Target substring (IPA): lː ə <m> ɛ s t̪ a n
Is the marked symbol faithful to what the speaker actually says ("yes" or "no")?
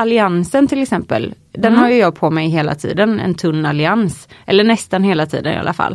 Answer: no